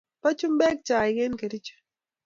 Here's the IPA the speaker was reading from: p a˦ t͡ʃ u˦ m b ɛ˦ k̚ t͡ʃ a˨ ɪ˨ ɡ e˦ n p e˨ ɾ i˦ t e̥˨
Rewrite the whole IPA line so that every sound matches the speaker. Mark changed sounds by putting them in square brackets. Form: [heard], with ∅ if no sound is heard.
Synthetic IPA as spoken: p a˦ t͡ʃ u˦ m b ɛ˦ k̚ t͡ʃ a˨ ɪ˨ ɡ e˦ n [k] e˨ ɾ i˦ [t͡ʃ] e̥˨